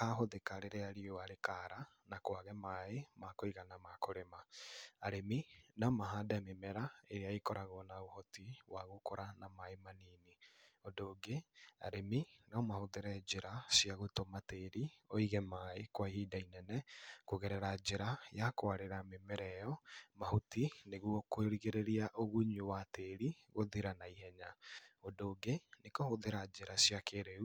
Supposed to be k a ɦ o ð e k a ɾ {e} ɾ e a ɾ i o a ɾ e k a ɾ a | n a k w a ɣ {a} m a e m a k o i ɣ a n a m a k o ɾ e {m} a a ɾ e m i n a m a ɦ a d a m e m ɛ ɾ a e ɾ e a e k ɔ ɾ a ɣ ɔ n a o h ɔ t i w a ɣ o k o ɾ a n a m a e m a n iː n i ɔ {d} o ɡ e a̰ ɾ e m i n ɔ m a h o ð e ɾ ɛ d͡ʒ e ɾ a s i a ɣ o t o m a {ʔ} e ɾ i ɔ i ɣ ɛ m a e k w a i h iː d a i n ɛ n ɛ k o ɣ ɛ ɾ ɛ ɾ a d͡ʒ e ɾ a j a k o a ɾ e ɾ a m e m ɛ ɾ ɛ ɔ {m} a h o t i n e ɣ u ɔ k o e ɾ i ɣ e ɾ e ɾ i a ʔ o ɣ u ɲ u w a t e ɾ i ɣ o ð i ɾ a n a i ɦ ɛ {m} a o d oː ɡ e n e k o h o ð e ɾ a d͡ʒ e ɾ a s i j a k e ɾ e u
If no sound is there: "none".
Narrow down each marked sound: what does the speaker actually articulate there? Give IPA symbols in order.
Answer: e, ɛ, m, d, t, m, ɲ

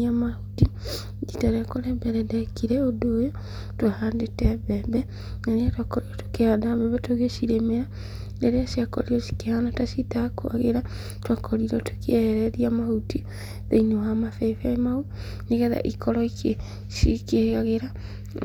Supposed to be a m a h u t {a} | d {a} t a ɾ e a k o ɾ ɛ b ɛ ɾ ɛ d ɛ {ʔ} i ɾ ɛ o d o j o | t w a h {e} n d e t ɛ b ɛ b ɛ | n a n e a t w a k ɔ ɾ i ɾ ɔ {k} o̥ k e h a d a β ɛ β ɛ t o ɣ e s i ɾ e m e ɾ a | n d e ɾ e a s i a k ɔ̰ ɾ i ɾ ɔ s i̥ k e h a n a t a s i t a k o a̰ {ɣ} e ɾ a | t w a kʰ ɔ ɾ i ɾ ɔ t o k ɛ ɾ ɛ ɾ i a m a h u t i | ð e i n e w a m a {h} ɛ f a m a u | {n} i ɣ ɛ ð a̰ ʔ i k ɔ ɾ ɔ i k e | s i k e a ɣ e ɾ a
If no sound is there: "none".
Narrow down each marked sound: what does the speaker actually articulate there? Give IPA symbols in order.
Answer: i, i, k, a, t, ɣ, f, n

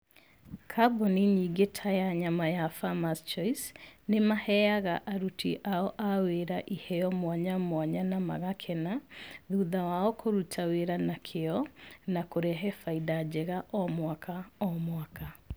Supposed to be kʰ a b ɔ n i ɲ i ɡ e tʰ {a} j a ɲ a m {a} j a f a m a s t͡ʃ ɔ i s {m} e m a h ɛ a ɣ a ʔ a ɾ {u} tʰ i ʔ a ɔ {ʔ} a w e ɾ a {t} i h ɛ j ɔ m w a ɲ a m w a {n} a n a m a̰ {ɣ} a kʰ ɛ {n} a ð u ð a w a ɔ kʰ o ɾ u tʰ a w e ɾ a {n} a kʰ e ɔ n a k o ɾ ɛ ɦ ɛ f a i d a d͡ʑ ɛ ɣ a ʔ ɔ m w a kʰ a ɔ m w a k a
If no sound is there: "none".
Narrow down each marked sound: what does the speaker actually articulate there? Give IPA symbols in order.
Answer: a, a, n, u, ʔ, ʔ, ɲ, ɣ, n, n

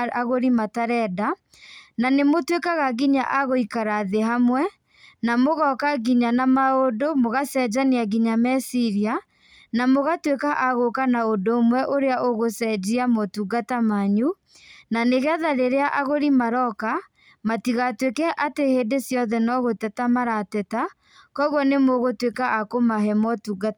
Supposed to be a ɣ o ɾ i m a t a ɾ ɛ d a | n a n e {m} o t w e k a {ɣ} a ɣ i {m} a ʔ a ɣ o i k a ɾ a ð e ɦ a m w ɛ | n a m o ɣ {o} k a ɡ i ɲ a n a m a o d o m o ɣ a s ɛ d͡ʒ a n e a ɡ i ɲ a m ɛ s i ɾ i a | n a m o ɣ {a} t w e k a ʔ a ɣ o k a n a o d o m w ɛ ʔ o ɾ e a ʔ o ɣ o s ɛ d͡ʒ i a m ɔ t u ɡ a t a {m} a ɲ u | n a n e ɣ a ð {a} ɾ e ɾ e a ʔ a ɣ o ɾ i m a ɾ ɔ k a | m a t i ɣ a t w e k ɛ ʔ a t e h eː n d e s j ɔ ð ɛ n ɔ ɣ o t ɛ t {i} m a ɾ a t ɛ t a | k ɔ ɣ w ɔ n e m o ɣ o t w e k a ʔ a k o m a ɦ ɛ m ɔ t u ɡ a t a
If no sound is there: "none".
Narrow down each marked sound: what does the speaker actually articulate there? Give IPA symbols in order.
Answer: m, ɣ, ɲ, ɔ, a, m, a, a

